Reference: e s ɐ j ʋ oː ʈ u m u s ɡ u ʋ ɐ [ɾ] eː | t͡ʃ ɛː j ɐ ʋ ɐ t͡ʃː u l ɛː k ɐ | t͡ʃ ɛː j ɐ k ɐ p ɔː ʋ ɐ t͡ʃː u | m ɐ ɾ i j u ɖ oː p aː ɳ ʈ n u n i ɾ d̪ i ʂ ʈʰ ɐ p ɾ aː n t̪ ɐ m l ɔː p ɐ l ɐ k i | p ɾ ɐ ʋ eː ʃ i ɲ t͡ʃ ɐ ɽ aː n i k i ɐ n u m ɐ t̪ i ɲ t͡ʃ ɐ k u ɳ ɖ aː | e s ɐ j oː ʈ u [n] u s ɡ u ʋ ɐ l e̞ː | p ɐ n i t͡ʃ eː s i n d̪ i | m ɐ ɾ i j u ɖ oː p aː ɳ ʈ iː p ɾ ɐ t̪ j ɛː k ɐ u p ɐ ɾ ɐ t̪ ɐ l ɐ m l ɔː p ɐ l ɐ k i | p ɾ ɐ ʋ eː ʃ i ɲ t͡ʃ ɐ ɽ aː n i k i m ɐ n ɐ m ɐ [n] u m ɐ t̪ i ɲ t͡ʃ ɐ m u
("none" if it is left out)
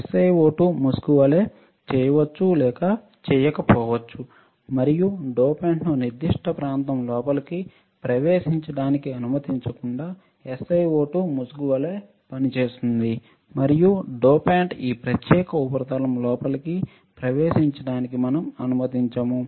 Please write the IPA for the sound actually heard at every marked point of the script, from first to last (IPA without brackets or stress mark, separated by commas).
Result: l, m, n